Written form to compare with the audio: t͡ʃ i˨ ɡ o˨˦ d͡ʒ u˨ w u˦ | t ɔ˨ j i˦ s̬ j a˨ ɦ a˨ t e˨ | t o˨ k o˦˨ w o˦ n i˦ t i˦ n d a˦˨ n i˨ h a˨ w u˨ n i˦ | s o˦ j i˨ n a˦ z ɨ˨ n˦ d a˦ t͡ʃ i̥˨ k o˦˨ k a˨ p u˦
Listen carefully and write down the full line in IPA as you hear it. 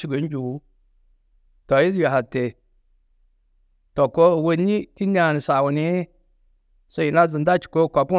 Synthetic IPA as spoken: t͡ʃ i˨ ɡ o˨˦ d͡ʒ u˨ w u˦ | t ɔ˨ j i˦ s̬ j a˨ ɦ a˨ t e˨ | t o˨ k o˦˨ w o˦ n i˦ t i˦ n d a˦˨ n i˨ s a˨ w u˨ n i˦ | s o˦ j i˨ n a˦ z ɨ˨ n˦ d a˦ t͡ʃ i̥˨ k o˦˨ k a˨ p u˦